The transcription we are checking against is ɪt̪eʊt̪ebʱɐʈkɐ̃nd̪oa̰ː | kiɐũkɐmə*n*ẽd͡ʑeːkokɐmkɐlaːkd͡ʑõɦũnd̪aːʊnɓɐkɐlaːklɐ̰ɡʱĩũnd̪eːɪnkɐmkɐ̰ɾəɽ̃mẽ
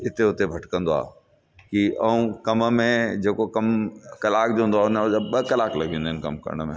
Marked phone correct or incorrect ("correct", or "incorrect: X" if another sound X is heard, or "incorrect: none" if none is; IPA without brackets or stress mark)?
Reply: incorrect: m